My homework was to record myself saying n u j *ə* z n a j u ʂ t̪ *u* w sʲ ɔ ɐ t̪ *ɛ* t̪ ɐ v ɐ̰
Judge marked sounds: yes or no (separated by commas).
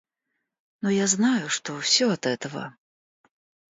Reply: no, no, yes